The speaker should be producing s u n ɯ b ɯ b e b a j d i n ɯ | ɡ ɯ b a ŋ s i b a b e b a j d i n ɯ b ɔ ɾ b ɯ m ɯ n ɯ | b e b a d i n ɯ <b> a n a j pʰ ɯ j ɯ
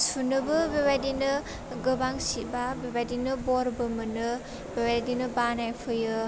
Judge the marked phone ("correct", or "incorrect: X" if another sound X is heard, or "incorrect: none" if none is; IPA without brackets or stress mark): correct